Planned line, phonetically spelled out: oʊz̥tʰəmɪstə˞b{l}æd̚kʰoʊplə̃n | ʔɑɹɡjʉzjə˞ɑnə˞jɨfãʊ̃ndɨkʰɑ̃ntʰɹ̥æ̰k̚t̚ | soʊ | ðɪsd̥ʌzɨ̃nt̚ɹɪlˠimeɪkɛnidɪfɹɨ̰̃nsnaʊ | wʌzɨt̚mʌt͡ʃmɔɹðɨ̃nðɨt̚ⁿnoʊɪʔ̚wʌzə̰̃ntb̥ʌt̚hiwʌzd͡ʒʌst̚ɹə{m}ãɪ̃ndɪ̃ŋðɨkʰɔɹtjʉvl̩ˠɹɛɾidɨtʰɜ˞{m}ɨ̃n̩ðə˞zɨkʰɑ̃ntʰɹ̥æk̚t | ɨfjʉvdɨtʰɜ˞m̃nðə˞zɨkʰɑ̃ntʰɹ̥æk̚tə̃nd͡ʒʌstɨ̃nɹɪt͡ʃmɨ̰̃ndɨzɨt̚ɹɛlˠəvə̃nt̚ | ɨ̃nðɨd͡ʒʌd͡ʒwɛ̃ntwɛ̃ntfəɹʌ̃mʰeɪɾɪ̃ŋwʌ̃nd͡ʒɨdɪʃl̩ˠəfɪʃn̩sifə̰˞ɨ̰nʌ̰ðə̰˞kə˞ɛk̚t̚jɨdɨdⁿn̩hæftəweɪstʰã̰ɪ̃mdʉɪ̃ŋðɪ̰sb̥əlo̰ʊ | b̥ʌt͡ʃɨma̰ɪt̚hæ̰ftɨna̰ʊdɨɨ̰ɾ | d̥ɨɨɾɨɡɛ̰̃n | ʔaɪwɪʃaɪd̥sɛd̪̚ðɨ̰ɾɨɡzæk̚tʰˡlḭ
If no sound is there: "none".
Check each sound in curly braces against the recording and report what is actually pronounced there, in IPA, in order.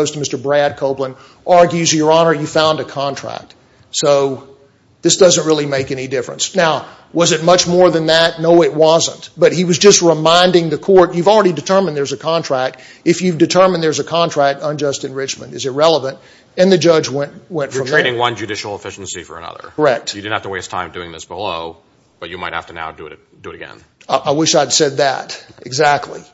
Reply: ɹ, m, m

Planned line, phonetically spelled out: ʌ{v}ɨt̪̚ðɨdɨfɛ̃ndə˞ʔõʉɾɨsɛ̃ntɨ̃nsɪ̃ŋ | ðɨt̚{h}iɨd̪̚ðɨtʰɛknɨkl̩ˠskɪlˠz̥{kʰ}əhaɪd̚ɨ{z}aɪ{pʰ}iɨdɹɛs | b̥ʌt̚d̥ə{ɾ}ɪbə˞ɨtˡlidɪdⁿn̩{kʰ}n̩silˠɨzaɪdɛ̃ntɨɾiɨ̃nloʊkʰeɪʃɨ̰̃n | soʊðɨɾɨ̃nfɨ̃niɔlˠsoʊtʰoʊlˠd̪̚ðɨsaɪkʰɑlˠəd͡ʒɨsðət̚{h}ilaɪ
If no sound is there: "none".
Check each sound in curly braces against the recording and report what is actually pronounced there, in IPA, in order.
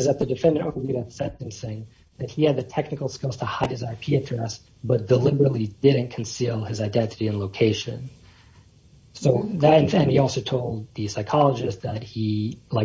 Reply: z, h, tʰ, z, pʰ, l, kʰ, h

